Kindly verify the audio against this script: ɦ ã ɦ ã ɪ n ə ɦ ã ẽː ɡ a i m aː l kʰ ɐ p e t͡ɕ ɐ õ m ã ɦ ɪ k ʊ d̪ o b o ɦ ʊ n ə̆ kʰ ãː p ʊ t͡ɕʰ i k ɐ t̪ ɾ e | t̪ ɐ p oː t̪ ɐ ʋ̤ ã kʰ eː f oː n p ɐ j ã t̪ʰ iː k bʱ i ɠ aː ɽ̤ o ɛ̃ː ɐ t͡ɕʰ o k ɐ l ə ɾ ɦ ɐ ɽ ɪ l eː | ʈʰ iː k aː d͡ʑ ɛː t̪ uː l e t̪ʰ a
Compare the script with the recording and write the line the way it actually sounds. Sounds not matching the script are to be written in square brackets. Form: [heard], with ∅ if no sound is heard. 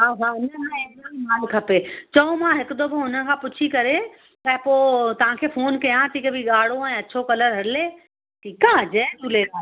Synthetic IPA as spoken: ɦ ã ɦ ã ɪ n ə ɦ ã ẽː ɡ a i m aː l kʰ ɐ p e t͡ɕ ɐ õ m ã ɦ ɪ k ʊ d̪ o b o ɦ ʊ n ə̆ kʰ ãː p ʊ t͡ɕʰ i k ɐ [∅] ɾ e | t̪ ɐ p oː t̪ ɐ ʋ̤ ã kʰ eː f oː n [k] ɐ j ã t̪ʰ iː k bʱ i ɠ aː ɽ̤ o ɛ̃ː ɐ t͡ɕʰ o k ɐ l ə ɾ ɦ ɐ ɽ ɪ l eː | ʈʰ iː k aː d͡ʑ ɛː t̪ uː l e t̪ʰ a